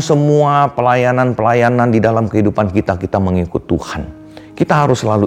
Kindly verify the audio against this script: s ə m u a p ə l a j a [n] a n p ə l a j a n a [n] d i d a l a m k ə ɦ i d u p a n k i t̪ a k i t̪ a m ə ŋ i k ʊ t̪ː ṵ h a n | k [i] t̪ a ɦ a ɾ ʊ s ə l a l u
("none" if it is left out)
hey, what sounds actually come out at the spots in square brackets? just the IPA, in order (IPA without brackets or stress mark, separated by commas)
n, n, i